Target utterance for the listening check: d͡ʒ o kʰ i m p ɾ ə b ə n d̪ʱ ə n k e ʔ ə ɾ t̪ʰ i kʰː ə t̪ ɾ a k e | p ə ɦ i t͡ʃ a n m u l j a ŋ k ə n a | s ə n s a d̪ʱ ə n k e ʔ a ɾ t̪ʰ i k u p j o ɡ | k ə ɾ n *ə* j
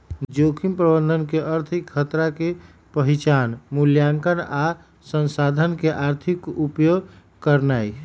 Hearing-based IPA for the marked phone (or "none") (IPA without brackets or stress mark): a